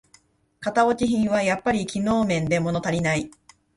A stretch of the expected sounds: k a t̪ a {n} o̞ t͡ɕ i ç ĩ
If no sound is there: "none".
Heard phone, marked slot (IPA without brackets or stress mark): none